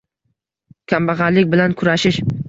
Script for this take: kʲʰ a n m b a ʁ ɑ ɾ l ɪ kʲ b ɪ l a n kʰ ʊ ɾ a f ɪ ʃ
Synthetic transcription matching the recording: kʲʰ a m b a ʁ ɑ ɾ l ɪ kʲ b ɪ l a n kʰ ʊ ɾ a ʃ ɪ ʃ